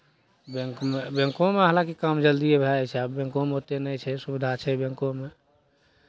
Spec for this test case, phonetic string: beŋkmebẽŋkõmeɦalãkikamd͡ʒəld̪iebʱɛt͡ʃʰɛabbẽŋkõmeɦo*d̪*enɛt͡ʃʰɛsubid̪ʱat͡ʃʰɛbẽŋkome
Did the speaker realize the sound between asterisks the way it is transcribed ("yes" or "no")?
no